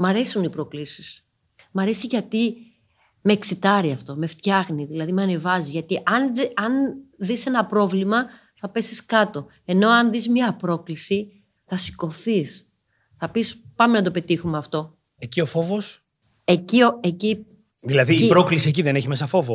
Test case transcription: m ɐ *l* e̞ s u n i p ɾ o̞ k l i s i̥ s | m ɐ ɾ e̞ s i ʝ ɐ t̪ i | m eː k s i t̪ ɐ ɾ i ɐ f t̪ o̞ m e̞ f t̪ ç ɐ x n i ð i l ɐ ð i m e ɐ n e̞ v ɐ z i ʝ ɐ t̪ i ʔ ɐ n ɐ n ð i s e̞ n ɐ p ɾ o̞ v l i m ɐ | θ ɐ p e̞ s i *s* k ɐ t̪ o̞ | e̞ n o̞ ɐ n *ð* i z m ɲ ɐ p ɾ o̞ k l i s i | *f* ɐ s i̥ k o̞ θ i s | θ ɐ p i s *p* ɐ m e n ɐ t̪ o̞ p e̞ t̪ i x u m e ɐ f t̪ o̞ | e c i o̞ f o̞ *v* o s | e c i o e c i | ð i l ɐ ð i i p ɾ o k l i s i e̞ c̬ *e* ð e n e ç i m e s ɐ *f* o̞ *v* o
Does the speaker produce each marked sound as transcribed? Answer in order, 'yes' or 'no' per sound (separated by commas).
no, yes, yes, no, yes, yes, no, yes, yes